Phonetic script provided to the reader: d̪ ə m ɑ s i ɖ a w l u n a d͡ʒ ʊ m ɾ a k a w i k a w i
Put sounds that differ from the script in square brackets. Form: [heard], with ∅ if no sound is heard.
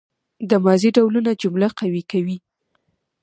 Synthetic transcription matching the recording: d̪ ə m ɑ [z] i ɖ a w l u n a d͡ʒ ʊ m [l] a [q] a w i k a w i